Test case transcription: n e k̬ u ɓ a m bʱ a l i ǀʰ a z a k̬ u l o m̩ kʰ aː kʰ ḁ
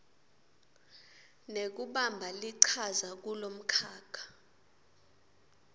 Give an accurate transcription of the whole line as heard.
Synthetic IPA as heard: n e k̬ u ɓ a m bʱ a l i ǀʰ a z a k̬ u l o m̩ kʰ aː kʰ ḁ